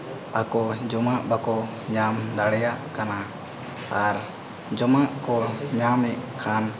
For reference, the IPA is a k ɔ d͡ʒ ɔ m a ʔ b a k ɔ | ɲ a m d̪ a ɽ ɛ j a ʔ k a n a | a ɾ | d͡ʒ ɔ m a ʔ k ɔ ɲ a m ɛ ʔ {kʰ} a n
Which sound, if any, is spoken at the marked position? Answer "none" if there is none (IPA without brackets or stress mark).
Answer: kʰ